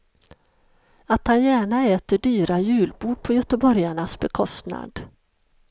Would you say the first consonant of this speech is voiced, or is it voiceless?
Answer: voiceless